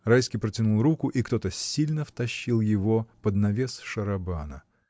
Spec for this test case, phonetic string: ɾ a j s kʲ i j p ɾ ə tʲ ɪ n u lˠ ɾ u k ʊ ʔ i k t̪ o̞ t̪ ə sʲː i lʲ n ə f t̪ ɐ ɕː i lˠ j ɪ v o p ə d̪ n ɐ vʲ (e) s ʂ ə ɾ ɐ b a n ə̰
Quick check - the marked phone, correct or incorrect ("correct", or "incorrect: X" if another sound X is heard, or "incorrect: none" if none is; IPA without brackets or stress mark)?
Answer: correct